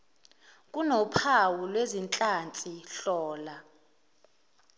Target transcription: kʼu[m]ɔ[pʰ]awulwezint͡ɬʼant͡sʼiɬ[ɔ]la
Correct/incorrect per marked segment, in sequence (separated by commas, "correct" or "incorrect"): incorrect, correct, incorrect